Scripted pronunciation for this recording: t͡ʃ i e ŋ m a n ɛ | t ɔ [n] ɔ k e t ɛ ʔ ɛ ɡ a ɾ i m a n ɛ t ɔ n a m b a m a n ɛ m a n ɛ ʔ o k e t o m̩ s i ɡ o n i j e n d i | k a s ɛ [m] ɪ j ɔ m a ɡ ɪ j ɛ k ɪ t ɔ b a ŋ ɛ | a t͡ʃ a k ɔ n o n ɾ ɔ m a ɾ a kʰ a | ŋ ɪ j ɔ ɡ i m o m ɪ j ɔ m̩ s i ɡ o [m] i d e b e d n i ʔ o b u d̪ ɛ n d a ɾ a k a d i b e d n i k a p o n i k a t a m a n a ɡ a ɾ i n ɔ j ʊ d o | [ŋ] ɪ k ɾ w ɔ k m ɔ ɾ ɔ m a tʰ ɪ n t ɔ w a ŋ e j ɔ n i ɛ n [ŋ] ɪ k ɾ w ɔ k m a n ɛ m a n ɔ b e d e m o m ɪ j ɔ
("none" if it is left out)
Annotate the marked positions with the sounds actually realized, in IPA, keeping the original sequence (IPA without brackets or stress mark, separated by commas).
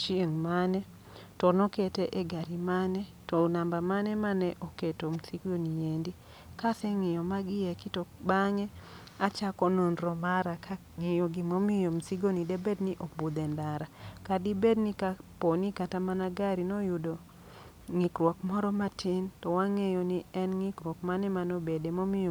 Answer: n, ŋ, n, ŋ, ŋ